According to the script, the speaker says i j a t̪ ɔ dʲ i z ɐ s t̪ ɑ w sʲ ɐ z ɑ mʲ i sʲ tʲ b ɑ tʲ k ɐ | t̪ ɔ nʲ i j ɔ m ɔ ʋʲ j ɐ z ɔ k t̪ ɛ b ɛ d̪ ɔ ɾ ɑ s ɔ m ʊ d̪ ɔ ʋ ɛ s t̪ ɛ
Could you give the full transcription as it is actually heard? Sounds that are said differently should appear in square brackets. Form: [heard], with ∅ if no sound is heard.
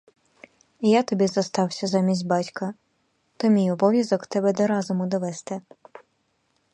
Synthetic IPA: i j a t̪ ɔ [bʲ] i z ɐ s t̪ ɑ w sʲ ɐ z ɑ mʲ i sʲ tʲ b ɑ tʲ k ɐ | t̪ ɔ [mʲ] i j ɔ [b] ɔ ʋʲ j ɐ z ɔ k t̪ ɛ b ɛ d̪ ɔ ɾ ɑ [z] ɔ m ʊ d̪ ɔ ʋ ɛ s t̪ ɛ